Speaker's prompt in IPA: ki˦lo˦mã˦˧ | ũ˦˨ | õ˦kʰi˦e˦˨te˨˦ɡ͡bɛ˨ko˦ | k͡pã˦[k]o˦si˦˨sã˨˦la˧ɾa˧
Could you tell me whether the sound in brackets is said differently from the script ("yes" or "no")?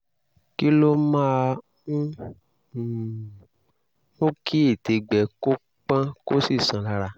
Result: no